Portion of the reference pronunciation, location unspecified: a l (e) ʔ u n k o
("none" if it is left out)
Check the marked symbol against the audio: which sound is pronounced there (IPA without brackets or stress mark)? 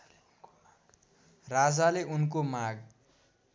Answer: e